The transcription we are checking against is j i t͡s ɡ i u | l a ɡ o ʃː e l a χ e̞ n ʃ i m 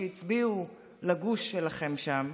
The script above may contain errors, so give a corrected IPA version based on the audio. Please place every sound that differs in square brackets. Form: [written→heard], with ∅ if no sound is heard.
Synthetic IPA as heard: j i t͡s [ɡ→b] i u | l a ɡ [o→u] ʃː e l a χ e̞ [n→m] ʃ [i→a] m